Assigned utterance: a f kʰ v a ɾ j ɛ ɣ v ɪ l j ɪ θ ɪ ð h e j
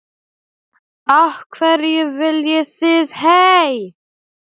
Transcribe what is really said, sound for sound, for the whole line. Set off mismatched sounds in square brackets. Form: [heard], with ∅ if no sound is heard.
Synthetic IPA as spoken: a [h] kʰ v [ɛ] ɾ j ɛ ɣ v ɪ l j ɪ θ ɪ ð h e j